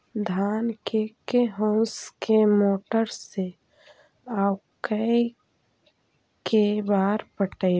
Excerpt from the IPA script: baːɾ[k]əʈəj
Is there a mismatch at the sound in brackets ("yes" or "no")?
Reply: yes